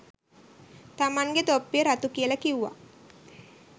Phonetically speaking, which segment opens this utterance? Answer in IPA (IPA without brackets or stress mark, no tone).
t̪